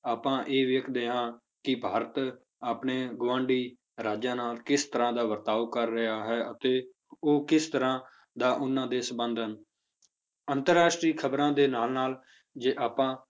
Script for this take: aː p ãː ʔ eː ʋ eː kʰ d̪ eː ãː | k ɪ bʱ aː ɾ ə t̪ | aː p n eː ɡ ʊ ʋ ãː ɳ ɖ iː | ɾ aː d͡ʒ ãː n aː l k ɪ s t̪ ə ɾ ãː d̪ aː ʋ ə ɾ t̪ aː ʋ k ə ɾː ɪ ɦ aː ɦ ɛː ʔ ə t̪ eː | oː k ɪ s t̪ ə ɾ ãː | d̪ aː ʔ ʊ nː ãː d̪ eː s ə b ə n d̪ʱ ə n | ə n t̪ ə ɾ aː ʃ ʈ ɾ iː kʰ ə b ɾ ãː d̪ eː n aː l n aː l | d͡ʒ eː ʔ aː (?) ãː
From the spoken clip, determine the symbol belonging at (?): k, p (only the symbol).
p